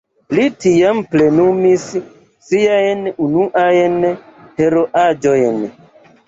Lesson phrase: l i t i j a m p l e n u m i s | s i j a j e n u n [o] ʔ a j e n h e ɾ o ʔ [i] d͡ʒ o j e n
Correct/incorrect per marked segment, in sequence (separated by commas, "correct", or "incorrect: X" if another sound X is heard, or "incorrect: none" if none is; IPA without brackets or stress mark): incorrect: u, incorrect: a